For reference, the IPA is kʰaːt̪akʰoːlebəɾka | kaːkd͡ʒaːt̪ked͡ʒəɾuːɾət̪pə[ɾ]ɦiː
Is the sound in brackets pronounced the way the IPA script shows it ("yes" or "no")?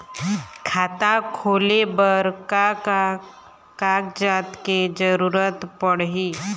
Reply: no